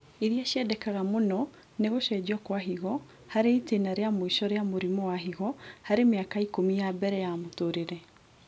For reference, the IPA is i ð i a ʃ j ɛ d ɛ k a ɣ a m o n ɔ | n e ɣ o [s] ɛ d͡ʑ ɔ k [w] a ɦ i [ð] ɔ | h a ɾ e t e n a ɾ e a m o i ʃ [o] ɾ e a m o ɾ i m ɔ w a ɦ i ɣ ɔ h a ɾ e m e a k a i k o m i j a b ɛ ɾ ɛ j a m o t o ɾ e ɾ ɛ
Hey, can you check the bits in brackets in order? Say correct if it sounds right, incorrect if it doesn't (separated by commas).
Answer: incorrect, correct, incorrect, incorrect